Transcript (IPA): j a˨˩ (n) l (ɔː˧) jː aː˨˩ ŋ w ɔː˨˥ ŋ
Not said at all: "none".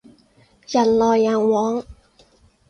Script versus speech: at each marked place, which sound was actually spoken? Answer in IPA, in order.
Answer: n, ɔː˧

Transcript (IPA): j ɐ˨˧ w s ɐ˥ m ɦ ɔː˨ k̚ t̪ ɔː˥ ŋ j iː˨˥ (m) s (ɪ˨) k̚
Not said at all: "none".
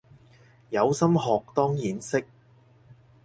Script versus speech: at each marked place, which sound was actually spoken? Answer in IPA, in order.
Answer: n, ɪ˥

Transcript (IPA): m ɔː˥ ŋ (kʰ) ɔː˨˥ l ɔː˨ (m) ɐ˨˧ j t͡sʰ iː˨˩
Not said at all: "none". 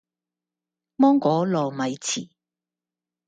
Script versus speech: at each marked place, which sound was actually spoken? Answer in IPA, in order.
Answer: k, m

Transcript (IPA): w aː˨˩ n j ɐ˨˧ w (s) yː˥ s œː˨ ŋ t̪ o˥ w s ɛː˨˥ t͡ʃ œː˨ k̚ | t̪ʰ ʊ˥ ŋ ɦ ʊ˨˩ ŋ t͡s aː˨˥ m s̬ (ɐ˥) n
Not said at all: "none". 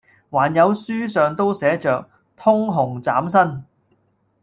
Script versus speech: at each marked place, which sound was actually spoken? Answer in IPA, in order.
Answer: s, ɐ˥

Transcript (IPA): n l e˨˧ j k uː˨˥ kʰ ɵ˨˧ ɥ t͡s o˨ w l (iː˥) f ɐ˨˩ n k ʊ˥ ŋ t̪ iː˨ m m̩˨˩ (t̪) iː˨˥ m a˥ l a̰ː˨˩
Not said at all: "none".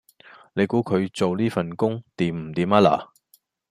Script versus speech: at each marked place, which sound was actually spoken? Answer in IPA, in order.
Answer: iː˥, t̪

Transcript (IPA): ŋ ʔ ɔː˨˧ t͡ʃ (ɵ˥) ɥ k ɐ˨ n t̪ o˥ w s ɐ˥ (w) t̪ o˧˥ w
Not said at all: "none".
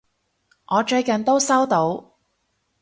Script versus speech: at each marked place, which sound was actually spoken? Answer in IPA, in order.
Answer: ɵ˧, w

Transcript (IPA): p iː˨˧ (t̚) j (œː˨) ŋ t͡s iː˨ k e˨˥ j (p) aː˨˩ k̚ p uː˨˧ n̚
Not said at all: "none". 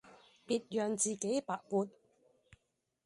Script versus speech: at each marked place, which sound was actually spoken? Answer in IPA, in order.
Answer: t̚, œː˨, p

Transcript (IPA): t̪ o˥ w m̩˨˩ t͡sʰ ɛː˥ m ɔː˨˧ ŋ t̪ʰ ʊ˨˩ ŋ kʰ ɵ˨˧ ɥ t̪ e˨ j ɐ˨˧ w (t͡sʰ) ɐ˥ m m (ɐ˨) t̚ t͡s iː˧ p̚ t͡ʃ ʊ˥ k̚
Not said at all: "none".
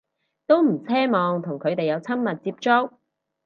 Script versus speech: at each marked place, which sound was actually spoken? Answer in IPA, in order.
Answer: t͡sʰ, ɐ˨

